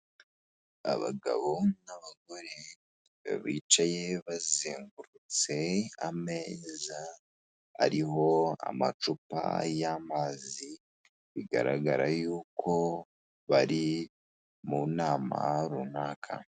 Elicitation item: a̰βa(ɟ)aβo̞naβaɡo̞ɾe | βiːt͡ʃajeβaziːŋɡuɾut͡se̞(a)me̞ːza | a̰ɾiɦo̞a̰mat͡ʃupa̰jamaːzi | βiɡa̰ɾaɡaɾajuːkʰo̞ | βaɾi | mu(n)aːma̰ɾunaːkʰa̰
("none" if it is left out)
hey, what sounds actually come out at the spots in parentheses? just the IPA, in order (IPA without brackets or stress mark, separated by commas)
ɡ, a, n